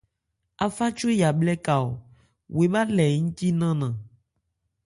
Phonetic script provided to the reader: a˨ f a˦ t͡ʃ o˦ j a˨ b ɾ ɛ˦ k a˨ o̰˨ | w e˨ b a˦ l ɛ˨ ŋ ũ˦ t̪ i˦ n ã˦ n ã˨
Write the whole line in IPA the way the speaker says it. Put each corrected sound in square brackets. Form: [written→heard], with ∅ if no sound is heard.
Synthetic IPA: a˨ f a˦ t͡ʃ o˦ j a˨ b [ɾ→l] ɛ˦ k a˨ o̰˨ | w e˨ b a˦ l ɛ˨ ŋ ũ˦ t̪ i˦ n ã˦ n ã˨